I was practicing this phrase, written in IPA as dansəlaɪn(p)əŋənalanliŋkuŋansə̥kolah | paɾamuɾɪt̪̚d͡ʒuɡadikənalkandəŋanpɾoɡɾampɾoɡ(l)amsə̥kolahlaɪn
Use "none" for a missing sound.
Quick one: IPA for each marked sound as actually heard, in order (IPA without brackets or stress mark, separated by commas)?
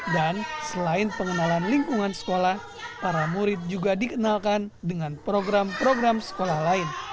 p, ɾ